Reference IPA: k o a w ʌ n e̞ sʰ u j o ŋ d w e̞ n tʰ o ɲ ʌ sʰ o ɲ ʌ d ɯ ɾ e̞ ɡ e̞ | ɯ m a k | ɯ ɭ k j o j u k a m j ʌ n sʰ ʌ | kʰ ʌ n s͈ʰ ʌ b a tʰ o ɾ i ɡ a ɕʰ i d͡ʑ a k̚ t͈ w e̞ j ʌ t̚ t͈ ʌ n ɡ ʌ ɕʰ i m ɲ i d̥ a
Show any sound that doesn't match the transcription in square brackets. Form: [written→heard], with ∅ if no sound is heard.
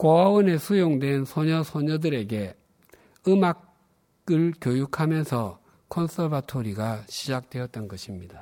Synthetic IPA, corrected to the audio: k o a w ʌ n e̞ sʰ u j o ŋ d w e̞ n [tʰ→sʰ] o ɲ ʌ sʰ o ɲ ʌ d ɯ ɾ e̞ ɡ e̞ | ɯ m a k | ɯ ɭ k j o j u [k→kʰ] a m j ʌ n sʰ ʌ | kʰ ʌ n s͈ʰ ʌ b a tʰ o ɾ i ɡ a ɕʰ i d͡ʑ a k̚ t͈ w e̞ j ʌ t̚ t͈ ʌ n ɡ ʌ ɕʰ i m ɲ i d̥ a